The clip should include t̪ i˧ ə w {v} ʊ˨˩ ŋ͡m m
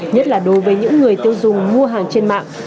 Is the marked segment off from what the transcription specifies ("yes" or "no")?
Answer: yes